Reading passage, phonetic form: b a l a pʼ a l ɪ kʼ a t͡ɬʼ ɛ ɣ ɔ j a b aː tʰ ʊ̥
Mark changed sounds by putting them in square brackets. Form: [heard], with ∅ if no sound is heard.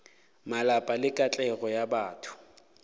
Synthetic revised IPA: [m] a l a pʼ a l ɪ kʼ a t͡ɬʼ ɛ ɣ ɔ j a b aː tʰ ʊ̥